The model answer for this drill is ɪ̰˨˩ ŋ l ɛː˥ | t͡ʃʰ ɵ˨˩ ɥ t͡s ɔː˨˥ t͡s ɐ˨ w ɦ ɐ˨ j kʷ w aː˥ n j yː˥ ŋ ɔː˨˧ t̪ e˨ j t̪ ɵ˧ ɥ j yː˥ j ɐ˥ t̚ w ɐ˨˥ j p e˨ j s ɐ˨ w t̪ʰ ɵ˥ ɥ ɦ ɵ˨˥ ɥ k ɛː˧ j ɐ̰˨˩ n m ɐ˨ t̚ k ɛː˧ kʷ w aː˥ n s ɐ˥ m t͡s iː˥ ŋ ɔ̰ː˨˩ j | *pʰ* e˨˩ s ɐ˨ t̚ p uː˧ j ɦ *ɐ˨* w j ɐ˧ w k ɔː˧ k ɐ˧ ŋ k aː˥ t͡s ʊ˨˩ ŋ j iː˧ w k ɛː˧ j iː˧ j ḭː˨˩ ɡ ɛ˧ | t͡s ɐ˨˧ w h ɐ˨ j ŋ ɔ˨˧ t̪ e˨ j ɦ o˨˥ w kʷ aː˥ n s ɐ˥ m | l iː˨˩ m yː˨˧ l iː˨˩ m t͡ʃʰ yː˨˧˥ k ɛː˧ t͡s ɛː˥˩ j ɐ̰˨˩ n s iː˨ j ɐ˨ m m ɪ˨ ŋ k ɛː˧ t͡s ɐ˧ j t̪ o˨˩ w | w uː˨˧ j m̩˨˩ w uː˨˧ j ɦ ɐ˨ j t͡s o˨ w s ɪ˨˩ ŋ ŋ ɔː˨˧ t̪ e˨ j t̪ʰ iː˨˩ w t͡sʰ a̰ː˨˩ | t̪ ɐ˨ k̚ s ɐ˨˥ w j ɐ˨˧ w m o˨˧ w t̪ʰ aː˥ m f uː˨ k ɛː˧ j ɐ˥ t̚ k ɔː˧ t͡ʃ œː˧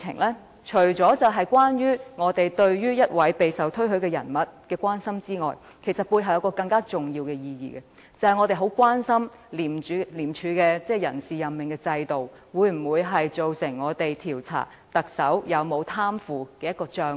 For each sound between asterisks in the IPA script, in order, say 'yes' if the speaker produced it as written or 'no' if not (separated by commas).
no, yes